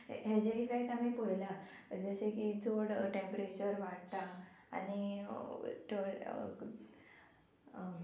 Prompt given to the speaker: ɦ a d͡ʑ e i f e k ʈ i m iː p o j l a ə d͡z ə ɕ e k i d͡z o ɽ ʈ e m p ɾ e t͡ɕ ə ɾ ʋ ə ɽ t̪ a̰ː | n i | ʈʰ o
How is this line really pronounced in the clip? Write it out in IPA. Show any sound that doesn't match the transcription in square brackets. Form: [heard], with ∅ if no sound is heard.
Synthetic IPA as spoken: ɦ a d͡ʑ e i f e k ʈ [a] m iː p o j l a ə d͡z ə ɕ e k i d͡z o ɽ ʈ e m p ɾ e t͡ɕ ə ɾ ʋ [a] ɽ t̪ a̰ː | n i | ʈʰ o

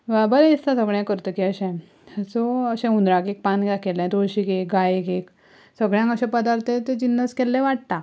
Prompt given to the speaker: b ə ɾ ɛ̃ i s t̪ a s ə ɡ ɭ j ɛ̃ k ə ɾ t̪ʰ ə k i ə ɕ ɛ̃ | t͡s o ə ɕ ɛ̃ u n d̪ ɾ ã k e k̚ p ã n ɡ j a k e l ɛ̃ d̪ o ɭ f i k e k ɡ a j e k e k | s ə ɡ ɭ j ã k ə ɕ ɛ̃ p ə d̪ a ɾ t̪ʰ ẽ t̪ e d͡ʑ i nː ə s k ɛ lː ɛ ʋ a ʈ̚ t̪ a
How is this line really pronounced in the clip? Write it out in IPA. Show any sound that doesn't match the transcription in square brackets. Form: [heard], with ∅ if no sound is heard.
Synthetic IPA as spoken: b ə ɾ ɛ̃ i s t̪ a s ə ɡ ɭ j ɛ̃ k ə ɾ [t̪] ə k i ə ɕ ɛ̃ | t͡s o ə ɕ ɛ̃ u n d̪ ɾ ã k e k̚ p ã n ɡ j a k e l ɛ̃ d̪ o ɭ [ɕ] i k e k ɡ a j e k e k | s ə ɡ ɭ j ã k ə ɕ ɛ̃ p ə d̪ a ɾ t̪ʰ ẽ t̪ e d͡ʑ i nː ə s k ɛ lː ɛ ʋ a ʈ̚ t̪ a

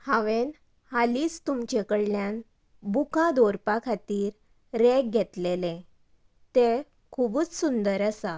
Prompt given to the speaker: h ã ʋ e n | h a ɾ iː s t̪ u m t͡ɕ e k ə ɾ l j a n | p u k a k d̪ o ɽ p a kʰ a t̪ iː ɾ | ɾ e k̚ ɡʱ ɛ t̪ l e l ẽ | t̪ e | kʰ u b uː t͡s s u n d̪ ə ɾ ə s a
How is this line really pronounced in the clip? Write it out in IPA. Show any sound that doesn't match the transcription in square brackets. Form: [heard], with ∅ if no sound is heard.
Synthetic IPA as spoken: h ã ʋ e n | h a [l] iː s t̪ u m t͡ɕ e k ə [ɽ] l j a n | [b] u k a [∅] d̪ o [ɾ] p a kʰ a t̪ iː ɾ | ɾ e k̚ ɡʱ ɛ t̪ l e l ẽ | t̪ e | kʰ u b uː t͡s s u n d̪ ə ɾ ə s a

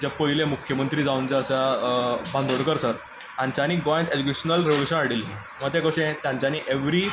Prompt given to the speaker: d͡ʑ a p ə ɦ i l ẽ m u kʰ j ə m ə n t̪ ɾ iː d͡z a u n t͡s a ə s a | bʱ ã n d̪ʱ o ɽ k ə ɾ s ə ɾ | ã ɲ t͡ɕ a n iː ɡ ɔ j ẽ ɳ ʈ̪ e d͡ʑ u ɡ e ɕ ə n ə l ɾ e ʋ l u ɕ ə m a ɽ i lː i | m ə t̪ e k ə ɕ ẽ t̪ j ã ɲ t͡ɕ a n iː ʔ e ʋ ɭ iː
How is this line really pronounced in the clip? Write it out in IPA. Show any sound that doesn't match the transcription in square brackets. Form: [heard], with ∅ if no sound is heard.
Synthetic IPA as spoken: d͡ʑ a p ə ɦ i l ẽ m u kʰ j ə m ə n t̪ ɾ iː d͡z a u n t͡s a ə s a | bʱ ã n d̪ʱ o ɽ k ə ɾ s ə ɾ | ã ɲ t͡ɕ a n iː ɡ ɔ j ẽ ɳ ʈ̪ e d͡ʑ u [k] e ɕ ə n ə l ɾ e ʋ l u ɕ ə [n] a ɽ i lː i | m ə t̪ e k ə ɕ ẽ t̪ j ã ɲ t͡ɕ a n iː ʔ e ʋ [ɾ] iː

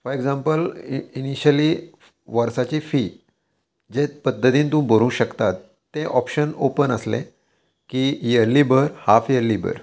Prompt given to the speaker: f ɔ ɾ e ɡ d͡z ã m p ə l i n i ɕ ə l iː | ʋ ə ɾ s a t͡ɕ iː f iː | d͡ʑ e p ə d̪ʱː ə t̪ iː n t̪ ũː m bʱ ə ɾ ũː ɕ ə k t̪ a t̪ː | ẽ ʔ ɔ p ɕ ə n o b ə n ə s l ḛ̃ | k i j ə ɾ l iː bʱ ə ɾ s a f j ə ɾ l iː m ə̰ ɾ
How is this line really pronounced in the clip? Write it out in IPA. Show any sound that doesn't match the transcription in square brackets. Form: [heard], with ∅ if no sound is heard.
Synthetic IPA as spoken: f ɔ ɾ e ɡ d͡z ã m p ə l i n i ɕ ə l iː | ʋ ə ɾ s a t͡ɕ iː f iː | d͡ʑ e p ə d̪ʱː ə t̪ iː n t̪ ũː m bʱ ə ɾ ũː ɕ ə k t̪ a t̪ː | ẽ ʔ ɔ p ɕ ə n o [p] ə n ə s l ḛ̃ | k i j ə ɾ l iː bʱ ə ɾ [h] a f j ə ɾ l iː [b] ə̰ ɾ

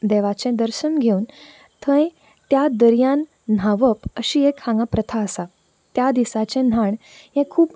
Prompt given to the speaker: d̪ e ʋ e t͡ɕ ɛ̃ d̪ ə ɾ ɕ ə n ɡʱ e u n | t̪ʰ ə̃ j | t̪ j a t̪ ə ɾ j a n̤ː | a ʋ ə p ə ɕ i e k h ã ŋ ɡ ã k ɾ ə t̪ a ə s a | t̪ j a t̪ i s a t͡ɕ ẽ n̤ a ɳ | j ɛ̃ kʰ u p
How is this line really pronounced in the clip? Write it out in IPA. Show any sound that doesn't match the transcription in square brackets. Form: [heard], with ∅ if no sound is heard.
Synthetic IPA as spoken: d̪ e ʋ [a] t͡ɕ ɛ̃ d̪ ə ɾ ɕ ə n ɡʱ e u n | t̪ʰ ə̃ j | t̪ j a [d̪] ə ɾ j a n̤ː | a ʋ ə p ə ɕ i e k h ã ŋ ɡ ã [p] ɾ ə [t̪ʰ] a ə s a | t̪ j a [d̪] i s a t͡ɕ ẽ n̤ a ɳ | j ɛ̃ kʰ [uː] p

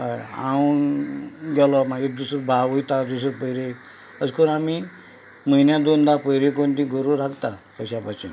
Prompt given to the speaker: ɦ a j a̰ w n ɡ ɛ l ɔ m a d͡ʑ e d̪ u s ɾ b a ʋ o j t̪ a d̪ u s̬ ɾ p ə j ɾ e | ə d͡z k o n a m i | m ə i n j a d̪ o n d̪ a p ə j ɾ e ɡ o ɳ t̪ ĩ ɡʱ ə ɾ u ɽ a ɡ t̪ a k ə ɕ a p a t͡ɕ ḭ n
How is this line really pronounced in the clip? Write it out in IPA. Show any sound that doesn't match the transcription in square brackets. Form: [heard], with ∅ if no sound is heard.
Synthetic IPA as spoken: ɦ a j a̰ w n ɡ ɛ l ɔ m a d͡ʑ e d̪ u s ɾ b a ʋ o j t̪ a d̪ u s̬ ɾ p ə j ɾ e | ə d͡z k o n a m i | m ə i n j a d̪ o n d̪ a p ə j ɾ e [k] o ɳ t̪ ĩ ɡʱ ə ɾ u [ɾ] a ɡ t̪ a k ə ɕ a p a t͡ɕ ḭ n

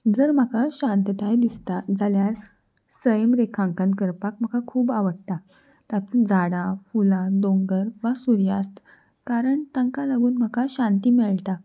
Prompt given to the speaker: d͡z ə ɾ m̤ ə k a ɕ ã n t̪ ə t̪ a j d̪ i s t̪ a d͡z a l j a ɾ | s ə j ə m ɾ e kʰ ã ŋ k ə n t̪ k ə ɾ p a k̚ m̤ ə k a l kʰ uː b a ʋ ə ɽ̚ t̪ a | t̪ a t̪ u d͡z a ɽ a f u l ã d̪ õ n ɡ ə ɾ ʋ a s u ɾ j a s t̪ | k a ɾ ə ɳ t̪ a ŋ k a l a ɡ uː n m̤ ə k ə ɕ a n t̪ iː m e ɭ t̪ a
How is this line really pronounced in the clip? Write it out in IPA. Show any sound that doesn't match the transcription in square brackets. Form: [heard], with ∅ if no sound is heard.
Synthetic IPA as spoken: d͡z ə ɾ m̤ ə k a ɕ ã n t̪ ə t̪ a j d̪ i s t̪ a d͡z a l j a ɾ | s ə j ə m ɾ e kʰ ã ŋ k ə n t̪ k ə ɾ p a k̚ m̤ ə k a [∅] kʰ uː b a ʋ ə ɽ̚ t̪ a | t̪ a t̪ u d͡z a ɽ a f u l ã d̪ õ [ŋ] ɡ ə ɾ ʋ a s u ɾ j a s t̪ | k a ɾ ə ɳ t̪ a ŋ k a l a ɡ uː n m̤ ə k [a] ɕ a n t̪ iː m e ɭ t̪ a

